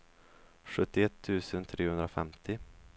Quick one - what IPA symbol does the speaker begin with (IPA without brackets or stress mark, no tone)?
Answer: ɧ